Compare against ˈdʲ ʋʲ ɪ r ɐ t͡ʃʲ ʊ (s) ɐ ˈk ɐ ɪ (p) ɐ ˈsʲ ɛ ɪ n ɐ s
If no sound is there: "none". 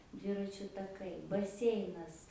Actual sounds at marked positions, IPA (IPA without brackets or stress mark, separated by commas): t, b